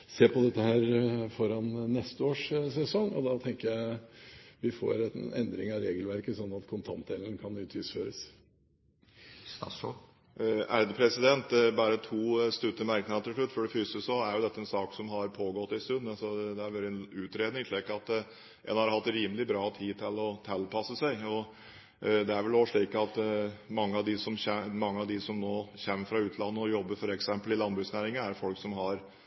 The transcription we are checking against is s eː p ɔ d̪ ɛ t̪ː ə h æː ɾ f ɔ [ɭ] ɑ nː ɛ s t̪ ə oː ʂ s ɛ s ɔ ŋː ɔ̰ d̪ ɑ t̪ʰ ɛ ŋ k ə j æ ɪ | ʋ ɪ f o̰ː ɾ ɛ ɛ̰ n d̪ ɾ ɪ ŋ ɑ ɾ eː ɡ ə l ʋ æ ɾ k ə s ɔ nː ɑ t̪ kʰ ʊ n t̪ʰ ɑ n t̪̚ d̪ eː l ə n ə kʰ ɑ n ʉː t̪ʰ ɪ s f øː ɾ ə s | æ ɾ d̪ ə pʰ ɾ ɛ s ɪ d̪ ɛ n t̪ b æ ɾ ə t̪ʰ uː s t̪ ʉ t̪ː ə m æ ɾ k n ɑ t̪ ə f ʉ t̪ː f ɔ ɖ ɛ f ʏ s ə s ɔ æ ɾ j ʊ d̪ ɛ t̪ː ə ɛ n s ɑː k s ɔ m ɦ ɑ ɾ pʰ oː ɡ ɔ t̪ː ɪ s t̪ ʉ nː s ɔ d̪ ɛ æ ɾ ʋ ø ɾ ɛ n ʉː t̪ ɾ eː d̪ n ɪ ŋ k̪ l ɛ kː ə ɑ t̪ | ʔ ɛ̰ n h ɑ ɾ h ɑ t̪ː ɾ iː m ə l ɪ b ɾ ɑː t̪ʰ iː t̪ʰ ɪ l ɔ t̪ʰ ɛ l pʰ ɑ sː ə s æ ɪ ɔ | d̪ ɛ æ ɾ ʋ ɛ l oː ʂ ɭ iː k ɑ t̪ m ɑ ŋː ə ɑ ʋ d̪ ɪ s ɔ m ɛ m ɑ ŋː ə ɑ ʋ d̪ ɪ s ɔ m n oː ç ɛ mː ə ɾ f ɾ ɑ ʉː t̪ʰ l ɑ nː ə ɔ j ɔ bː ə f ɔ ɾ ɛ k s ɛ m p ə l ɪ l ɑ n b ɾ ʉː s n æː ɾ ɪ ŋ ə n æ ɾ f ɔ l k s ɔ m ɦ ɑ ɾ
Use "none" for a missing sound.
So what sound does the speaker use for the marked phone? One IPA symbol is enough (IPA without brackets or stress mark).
ɾ